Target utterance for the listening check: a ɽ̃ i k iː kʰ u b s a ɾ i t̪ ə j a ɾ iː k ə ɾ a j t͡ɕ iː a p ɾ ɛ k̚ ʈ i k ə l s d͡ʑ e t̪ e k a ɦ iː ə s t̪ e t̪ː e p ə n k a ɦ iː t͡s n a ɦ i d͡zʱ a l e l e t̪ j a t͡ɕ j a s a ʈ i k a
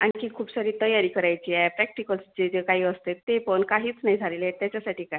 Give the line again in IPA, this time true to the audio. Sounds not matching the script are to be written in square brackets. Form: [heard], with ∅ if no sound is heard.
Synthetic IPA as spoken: a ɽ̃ i k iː kʰ [uː] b s a ɾ [iː] t̪ ə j a ɾ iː k ə ɾ a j t͡ɕ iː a p ɾ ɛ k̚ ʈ i k ə l s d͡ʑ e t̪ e k a ɦ iː ə s t̪ e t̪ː e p ə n k a ɦ iː t͡s n a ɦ i d͡zʱ a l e l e t̪ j a t͡ɕ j a s a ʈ [iː] k a

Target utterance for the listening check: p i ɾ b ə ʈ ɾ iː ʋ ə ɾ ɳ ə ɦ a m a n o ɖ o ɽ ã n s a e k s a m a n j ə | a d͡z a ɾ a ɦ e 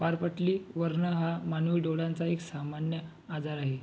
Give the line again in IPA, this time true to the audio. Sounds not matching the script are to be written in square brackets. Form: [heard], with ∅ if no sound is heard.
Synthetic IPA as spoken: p [a] ɾ [p] ə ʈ [l] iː ʋ ə ɾ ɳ ə ɦ a m a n [u] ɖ o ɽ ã n [t͡s] a e k s a m a n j ə | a d͡z a ɾ a ɦ e

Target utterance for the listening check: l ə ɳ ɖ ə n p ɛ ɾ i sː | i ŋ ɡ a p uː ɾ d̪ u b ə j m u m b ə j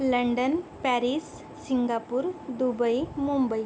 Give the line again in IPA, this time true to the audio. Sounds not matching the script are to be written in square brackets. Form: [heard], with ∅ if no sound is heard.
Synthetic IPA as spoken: l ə ɳ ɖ ə n p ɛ ɾ i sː | i ŋ ɡ a p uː ɾ d̪ u b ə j m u m b ə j

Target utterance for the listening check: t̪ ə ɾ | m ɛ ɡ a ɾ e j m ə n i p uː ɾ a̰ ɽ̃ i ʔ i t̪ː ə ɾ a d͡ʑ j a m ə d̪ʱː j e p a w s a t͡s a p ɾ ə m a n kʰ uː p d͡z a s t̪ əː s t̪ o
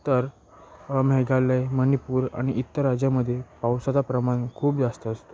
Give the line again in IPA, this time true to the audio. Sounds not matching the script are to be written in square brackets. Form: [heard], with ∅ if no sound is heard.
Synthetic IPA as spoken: t̪ ə ɾ | m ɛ ɡ a [l] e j m ə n i p uː ɾ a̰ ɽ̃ i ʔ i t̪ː ə ɾ a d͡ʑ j a m ə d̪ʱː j e p a w s a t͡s a p ɾ ə m a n kʰ uː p d͡z a s t̪ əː s t̪ o

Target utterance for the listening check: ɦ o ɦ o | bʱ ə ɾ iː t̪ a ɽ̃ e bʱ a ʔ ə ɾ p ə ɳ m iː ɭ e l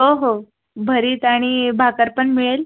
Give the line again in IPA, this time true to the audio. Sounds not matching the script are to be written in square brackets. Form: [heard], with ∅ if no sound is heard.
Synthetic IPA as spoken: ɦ o ɦ o | bʱ ə ɾ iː t̪ a ɽ̃ [i] bʱ a [k] ə ɾ p ə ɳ m [i] ɭ e l

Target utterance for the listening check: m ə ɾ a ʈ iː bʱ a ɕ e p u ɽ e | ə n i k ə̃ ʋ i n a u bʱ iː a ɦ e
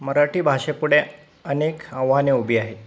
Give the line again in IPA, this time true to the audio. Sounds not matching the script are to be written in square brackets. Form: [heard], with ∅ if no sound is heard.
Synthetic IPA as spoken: m ə ɾ a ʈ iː bʱ a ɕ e p u ɽ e | ə n [e] k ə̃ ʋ [a] n [e] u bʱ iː a ɦ e

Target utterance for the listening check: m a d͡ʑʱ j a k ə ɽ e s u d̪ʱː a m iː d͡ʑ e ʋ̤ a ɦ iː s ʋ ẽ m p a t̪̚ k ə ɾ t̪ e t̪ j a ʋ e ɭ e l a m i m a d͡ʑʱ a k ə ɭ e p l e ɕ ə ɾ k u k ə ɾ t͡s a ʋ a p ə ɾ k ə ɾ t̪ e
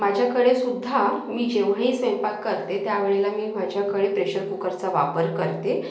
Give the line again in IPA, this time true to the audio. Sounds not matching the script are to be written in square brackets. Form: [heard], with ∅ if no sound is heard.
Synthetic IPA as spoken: m a d͡ʑʱ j a k ə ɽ e s u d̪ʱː a m iː d͡ʑ e ʋ̤ a ɦ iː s ʋ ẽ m p a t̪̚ k ə ɾ t̪ e t̪ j a ʋ e ɭ e l a m [iː] m a d͡ʑʱ a k ə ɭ e p [ɾ] e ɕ ə ɾ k u k ə ɾ t͡s a ʋ a p ə ɾ k ə ɾ t̪ e

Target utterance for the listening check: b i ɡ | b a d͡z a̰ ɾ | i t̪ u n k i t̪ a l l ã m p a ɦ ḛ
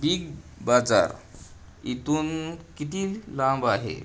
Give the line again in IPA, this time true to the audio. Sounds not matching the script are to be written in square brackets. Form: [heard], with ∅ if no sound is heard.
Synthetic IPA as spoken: b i ɡ | b a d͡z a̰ ɾ | i t̪ u n k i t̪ [i] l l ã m [b] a ɦ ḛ

